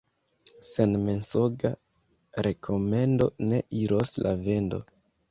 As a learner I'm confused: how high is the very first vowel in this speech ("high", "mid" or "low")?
mid